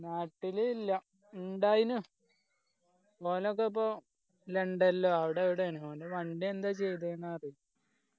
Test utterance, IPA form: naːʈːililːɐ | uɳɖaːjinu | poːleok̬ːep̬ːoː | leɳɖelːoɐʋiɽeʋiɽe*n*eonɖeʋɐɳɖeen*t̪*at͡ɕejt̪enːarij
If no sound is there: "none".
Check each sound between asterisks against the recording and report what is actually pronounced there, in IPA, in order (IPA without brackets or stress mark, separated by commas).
n, d̪